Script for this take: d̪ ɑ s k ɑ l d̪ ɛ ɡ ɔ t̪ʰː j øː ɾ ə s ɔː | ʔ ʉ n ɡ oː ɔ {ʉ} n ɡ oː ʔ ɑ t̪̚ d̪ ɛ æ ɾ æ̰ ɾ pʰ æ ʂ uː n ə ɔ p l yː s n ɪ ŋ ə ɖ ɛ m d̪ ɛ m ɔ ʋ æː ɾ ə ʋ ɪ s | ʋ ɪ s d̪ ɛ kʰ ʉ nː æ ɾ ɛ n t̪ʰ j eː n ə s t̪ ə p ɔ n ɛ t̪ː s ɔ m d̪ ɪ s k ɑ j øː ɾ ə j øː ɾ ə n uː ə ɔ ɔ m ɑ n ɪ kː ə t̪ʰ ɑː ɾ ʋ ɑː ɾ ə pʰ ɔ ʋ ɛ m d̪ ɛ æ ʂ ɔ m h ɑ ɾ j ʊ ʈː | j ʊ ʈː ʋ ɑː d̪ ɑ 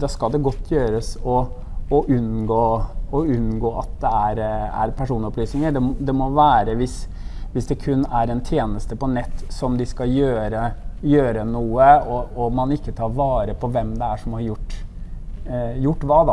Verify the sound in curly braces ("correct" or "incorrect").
correct